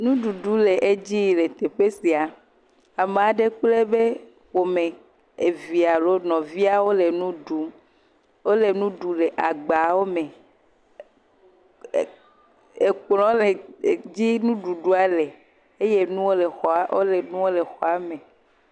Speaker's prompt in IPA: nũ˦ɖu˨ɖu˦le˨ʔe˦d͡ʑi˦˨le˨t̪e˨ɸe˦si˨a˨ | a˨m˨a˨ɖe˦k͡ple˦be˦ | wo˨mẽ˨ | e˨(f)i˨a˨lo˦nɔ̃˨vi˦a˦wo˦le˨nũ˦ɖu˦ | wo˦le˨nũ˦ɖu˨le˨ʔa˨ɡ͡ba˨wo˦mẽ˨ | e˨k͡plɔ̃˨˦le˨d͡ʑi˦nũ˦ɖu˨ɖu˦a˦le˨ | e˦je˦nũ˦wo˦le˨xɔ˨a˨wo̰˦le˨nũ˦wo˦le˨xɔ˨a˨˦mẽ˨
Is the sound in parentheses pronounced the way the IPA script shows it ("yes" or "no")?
no